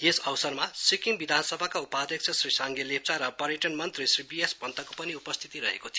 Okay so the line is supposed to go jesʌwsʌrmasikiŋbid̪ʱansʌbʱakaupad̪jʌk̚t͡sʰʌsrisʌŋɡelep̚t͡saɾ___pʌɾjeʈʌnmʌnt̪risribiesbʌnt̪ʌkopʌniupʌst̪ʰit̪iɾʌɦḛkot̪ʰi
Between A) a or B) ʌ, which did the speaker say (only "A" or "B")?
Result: B